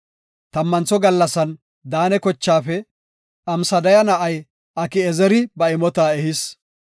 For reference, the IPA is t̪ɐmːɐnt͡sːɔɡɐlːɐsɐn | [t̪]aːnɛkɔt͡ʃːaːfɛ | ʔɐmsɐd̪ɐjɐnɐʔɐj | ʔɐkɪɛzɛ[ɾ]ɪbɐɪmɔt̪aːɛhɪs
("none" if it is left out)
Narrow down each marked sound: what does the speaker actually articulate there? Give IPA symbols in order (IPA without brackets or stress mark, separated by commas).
d̪, ɾ